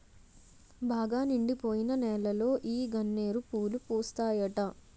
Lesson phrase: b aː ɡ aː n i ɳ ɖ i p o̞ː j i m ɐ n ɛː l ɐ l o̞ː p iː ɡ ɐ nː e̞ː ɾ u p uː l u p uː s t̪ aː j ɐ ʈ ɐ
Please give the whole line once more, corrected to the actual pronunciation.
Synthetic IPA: b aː ɡ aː n i ɳ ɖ i p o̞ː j i n ɐ n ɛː l ɐ l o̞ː ʔ iː ɡ ɐ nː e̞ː ɾ u p uː l u p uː s t̪ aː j ɐ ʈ ɐ